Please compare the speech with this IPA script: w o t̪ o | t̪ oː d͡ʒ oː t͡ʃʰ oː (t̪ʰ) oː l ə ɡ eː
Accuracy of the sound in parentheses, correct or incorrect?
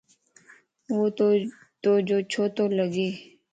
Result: incorrect